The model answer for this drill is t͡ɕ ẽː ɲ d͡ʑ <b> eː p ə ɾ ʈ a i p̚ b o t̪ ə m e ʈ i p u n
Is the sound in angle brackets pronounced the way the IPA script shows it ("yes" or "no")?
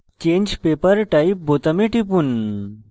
no